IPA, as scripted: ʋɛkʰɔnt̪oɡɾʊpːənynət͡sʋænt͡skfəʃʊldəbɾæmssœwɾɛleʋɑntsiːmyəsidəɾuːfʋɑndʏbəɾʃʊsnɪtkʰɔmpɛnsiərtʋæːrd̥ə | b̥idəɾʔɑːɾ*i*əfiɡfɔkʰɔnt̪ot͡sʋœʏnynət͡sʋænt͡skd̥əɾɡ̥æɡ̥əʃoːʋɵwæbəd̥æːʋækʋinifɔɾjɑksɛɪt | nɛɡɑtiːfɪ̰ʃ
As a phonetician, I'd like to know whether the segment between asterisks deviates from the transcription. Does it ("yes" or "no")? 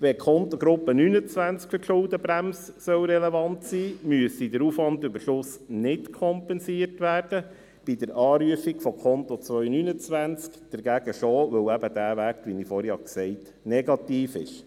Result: yes